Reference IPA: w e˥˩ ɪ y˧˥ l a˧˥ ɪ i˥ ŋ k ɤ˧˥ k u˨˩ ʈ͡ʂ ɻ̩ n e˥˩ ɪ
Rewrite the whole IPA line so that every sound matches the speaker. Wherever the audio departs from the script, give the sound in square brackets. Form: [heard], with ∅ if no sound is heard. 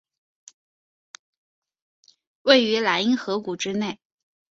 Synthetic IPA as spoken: w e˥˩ ɪ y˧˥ l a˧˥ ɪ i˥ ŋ [x] ɤ˧˥ k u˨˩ ʈ͡ʂ ɻ̩ n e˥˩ ɪ